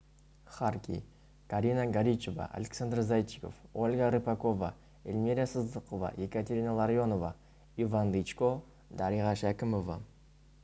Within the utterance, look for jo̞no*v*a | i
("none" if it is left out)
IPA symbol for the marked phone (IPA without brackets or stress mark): v